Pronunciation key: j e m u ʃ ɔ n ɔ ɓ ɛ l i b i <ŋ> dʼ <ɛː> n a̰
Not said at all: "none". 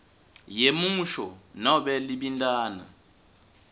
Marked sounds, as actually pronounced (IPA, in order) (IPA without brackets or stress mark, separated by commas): n, aː